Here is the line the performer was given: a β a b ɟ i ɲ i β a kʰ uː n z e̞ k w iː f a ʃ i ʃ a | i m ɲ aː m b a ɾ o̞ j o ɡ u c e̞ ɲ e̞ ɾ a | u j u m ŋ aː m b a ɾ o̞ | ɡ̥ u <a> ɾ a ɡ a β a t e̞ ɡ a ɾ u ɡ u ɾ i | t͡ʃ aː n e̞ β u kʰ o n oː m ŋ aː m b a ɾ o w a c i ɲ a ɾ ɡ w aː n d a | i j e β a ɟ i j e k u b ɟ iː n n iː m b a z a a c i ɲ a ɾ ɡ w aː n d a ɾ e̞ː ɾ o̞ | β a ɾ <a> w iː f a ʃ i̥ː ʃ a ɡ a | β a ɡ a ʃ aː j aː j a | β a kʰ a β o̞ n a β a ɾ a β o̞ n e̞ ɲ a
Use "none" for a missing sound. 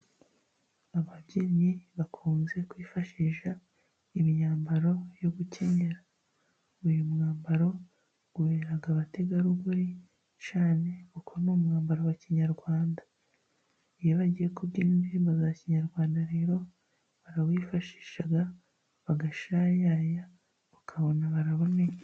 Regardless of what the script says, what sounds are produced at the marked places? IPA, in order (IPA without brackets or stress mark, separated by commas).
e, a